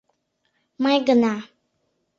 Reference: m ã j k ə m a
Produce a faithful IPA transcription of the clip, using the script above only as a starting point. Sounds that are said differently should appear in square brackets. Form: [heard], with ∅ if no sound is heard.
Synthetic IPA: m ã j [ɡ] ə [n] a